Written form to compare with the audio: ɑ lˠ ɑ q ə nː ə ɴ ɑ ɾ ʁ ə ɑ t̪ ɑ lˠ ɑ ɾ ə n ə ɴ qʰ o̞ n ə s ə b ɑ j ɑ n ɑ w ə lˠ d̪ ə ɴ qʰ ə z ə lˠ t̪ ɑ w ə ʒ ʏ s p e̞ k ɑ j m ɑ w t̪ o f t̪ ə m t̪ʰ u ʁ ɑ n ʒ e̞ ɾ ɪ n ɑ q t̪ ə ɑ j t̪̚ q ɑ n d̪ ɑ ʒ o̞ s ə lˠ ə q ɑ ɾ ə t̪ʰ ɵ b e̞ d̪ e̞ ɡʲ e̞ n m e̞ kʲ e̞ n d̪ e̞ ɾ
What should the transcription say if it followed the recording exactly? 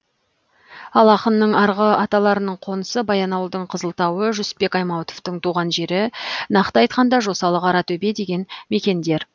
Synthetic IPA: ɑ lˠ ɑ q ə nː ə ɴ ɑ ɾ ʁ ə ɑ t̪ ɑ lˠ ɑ ɾ ə n ə ɴ qʰ o̞ n ə s ə b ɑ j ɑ n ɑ w ə lˠ d̪ ə ɴ qʰ ə z ə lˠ t̪ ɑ w ə ʒ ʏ s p e̞ k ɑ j m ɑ w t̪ o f t̪ ə ɴ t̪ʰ u ʁ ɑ n ʒ e̞ ɾ ɪ n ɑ q t̪ ə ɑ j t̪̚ q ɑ n d̪ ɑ ʒ o̞ s ɑ lˠ ə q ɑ ɾ ɑ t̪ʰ ɵ b e̞ d̪ e̞ ɡʲ e̞ n m e̞ kʲ e̞ n d̪ e̞ ɾ